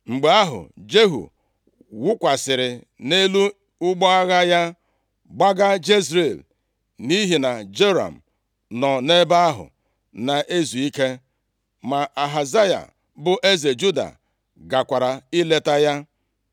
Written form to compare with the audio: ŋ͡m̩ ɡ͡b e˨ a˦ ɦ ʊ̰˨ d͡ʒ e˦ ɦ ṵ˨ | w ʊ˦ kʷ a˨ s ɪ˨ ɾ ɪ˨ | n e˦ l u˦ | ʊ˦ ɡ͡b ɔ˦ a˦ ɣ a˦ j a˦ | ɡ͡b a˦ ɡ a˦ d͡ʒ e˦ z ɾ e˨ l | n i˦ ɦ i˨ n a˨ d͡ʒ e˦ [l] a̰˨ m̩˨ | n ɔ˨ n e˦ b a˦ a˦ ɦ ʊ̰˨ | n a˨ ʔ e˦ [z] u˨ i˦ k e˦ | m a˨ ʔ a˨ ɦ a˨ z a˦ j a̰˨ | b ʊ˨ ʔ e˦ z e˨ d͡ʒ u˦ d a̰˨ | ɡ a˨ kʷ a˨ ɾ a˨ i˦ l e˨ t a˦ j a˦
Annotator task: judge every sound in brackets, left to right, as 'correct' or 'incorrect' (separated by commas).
incorrect, correct